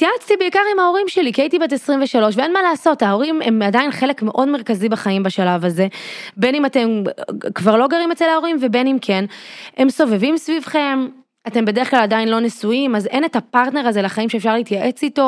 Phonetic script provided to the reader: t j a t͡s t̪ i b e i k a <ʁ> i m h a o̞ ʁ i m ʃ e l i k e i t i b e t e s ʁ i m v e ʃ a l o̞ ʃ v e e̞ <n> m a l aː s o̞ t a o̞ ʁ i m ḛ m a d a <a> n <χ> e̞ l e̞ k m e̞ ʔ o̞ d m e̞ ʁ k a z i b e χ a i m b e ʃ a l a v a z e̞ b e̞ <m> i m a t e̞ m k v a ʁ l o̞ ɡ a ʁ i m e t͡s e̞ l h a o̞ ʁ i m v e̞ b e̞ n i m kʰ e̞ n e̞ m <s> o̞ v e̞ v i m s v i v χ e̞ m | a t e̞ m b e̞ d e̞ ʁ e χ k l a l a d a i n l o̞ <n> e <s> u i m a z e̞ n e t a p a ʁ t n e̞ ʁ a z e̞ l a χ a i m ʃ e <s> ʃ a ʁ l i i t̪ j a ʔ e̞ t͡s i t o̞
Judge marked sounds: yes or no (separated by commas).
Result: yes, yes, no, yes, no, yes, yes, yes, no